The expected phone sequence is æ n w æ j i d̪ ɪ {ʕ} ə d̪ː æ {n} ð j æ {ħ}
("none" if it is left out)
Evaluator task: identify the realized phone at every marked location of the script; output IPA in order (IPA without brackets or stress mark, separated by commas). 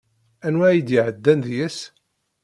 ʕ, n, s